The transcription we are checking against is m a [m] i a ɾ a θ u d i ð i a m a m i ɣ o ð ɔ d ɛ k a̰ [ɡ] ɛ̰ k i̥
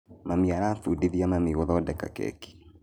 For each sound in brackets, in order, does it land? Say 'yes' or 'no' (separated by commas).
yes, no